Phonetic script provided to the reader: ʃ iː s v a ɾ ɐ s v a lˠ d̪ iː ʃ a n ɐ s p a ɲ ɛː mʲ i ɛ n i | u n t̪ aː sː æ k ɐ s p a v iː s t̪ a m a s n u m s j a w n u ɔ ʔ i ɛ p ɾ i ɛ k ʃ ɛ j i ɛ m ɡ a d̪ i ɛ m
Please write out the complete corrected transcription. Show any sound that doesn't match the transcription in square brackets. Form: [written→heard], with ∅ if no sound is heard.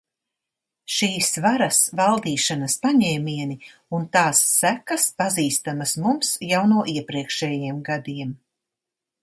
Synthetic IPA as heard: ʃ iː s v a ɾ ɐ s v a lˠ d̪ iː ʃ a n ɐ s p a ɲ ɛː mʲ i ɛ n i | u n t̪ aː sː æ k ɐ s p a [v→z] iː s t̪ a m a s [n→m] u m s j a w n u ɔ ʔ i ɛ p ɾ i ɛ k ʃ ɛ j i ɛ m ɡ a d̪ i ɛ m

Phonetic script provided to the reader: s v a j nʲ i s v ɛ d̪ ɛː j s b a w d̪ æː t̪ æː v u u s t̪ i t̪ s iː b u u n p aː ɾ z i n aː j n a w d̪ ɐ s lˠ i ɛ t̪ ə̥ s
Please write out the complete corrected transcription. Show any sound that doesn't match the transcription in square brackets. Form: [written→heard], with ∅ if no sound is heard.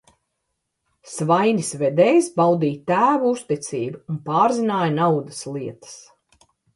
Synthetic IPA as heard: s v a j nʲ i s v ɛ d̪ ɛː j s b a w d̪ [æː→iː] t̪ æː v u u s t̪ i t̪ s iː b u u n p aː ɾ z i n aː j n a w d̪ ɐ s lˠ i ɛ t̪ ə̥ s

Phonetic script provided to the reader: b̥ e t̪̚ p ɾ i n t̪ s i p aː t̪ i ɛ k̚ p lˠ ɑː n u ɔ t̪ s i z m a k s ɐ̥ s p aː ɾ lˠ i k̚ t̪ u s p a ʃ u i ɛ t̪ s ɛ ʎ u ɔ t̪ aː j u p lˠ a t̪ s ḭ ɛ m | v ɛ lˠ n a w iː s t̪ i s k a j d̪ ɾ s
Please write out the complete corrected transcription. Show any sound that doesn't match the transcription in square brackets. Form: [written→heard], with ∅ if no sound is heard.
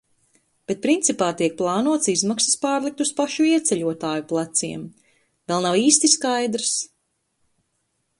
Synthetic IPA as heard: b̥ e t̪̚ p ɾ i n t̪ s i p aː t̪ i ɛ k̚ p lˠ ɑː n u ɔ t̪ s i z m a k s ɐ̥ s p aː ɾ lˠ i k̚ t̪ u s p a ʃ u i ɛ t̪ s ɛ ʎ u ɔ t̪ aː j u p lˠ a t̪ s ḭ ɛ m | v ɛ lˠ n a w iː s t̪ i s k a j d̪ ɾ s

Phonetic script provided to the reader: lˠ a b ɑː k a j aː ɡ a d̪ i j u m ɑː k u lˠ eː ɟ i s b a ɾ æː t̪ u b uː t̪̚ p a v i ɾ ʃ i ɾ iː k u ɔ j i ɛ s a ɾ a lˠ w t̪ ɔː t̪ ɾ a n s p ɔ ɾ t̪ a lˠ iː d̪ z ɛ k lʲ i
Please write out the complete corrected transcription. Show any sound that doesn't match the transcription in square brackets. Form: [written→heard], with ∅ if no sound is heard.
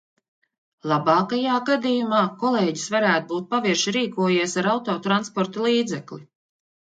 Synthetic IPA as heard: lˠ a b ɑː k a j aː ɡ a d̪ i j u m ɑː k [u→ɔ] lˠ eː ɟ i s [b→v] a ɾ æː t̪ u b uː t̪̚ p a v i ɾ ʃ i ɾ iː k u ɔ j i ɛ s a ɾ a [lˠ→∅] w t̪ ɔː t̪ ɾ a n s p ɔ ɾ t̪ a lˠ iː d̪ z ɛ k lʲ i

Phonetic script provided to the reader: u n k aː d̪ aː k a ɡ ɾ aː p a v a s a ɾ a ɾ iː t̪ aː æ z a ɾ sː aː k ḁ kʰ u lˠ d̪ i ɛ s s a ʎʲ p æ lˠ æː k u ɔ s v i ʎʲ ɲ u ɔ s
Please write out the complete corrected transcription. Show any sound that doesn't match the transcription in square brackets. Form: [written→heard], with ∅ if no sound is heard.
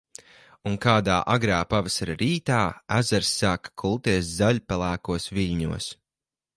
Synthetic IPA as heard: u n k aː d̪ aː [k→ʔ] a ɡ ɾ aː p a v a s a ɾ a ɾ iː t̪ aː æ z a ɾ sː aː k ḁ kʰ u lˠ [d̪→t̪] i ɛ s [s→z] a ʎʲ p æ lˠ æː k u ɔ s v i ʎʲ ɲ u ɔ s

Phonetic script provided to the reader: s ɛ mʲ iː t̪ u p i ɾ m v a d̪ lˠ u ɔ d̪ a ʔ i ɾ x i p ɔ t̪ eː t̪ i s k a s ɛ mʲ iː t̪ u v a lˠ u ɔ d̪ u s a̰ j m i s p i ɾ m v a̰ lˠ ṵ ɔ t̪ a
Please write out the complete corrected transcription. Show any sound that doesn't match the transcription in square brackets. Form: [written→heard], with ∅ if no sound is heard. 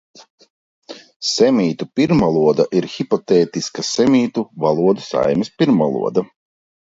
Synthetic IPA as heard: s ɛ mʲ iː t̪ u p i ɾ m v a [d̪→∅] lˠ u ɔ d̪ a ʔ i ɾ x i p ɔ t̪ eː t̪ i s k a s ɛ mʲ iː t̪ u v a lˠ u ɔ d̪ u s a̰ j m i s p i ɾ m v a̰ lˠ ṵ ɔ [t̪→d̪] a

